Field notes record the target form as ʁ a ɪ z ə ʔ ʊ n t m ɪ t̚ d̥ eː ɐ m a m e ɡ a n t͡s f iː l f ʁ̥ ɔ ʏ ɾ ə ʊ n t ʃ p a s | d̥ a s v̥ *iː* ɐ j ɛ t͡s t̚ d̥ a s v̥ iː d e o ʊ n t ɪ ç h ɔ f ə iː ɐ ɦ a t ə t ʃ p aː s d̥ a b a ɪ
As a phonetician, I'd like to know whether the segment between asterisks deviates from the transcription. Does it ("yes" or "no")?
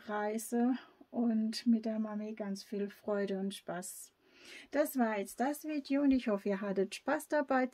yes